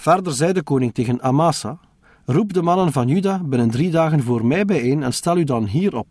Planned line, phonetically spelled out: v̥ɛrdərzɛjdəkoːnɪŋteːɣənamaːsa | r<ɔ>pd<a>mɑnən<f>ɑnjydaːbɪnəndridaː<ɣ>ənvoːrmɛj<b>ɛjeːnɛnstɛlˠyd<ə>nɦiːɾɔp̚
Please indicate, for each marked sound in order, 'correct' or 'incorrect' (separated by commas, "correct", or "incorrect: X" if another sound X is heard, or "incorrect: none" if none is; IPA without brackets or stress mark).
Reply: incorrect: u, incorrect: ə, incorrect: v, correct, correct, incorrect: ɑ